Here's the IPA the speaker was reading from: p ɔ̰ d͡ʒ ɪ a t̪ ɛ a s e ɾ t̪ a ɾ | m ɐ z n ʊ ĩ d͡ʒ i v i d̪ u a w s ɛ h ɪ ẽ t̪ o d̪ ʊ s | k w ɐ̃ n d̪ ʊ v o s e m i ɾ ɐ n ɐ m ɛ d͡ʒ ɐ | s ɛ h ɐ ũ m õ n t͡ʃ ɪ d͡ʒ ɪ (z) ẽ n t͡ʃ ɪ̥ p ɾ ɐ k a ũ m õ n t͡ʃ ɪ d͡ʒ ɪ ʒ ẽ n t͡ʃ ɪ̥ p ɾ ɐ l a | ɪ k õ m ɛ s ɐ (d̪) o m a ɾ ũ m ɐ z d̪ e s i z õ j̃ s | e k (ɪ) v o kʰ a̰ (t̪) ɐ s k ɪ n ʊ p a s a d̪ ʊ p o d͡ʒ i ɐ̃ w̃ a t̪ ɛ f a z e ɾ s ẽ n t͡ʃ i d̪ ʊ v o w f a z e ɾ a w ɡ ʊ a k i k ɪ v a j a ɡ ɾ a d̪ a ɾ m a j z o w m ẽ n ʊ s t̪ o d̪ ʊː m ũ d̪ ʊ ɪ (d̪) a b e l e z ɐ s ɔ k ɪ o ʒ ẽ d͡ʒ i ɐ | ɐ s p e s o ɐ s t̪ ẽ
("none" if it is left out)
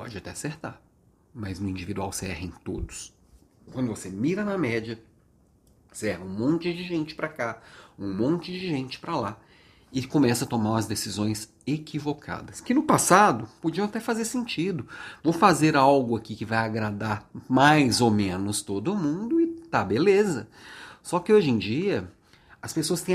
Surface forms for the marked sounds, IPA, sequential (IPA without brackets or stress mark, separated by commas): ʒ, t̪, i, d̪, t̪